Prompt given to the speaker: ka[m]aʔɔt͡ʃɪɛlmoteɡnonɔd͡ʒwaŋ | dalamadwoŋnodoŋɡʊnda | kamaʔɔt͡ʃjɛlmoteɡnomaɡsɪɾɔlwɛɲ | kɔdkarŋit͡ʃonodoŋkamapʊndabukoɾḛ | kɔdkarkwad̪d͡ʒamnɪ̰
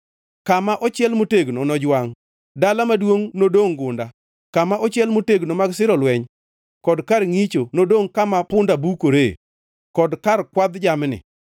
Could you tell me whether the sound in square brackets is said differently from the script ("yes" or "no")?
no